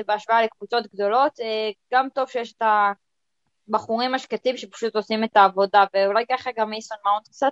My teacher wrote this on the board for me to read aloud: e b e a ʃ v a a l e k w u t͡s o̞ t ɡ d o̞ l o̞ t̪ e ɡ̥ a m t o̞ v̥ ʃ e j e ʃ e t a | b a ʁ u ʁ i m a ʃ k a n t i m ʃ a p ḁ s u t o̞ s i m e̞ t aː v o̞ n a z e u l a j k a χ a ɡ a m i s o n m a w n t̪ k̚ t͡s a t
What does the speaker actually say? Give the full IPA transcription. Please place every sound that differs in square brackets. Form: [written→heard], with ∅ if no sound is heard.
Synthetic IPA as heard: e b e a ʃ v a a l e k [w→v] u t͡s o̞ t ɡ d o̞ l o̞ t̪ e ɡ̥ a m t o̞ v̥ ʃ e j e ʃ e t a | b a [ʁ→χ] u ʁ i m a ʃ k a [n→∅] t i m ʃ [a→e] p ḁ [s→ʃ] u t o̞ s i m e̞ t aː v o̞ [n→d] a [z→v] e u l a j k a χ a ɡ a m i s o n m a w n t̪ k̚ t͡s a t